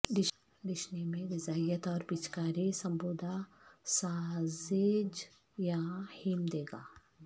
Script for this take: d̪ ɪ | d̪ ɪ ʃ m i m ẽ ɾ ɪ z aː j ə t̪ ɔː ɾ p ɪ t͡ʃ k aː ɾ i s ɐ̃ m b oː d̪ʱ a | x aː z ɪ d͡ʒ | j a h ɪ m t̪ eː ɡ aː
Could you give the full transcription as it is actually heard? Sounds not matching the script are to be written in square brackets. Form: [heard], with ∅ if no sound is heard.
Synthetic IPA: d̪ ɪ | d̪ ɪ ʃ [n] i m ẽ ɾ ɪ z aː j ə t̪ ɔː ɾ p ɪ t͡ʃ k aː ɾ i s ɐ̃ m b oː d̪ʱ a | [s] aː z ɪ d͡ʒ | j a h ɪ m [d̪] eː ɡ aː

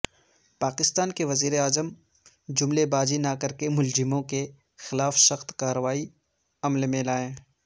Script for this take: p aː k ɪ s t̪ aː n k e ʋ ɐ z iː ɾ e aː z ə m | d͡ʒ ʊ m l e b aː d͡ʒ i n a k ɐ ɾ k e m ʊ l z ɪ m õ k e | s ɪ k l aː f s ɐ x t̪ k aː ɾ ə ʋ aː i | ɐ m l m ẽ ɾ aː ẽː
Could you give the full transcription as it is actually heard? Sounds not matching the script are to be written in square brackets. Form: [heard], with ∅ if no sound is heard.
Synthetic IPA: p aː k ɪ s t̪ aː n k e ʋ ɐ z iː ɾ e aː z ə m | d͡ʒ ʊ m l e b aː d͡ʒ i n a k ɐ ɾ k e m ʊ l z ɪ m õ k e | [x] ɪ [∅] l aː f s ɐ x t̪ k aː ɾ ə ʋ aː i | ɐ m l m ẽ [l] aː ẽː

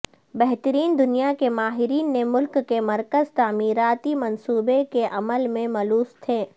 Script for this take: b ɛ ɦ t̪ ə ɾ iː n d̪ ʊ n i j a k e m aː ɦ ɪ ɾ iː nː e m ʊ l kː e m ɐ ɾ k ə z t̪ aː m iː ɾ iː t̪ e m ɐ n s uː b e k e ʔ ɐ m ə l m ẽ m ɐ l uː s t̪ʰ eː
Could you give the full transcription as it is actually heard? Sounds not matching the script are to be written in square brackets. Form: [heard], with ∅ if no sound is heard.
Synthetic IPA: b ɛ ɦ t̪ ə ɾ iː n d̪ ʊ n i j a k e m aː ɦ ɪ ɾ iː nː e m ʊ l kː e m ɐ ɾ k ə z t̪ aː m iː ɾ [aː] t̪ [i] m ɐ n s uː b e k e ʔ ɐ m ə l m ẽ m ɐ l uː s t̪ʰ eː

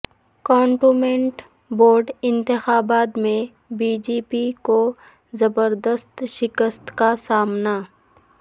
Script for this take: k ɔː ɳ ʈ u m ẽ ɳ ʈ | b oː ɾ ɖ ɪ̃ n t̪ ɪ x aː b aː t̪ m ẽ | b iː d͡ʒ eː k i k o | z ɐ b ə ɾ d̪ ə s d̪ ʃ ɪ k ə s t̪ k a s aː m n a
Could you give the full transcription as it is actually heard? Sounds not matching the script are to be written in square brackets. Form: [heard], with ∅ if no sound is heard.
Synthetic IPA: k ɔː ɳ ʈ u m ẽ ɳ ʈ | b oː ɾ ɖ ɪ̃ n t̪ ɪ x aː b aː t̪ m ẽ | b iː d͡ʒ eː [p] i k o | z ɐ b ə ɾ d̪ ə s [t̪] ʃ ɪ k ə s t̪ k a s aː m n a

